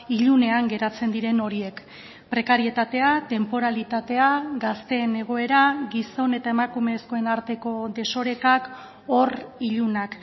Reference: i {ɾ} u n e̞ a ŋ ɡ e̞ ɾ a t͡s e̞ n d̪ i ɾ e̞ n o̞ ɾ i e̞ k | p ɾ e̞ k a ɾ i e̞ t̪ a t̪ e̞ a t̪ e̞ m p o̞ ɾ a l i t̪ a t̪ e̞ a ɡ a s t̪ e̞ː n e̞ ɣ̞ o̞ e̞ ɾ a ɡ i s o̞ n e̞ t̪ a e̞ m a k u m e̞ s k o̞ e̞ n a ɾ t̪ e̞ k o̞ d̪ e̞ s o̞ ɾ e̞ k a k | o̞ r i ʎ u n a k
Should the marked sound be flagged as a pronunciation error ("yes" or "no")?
yes